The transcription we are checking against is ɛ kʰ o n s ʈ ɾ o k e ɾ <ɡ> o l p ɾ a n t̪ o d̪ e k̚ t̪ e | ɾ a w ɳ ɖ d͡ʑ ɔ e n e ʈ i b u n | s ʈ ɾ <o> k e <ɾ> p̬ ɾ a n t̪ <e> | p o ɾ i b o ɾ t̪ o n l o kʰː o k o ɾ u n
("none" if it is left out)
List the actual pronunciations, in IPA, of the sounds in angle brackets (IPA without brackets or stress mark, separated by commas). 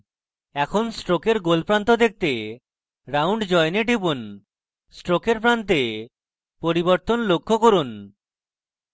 ɡ, o, ɾ, e